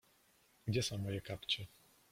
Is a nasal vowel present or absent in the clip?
present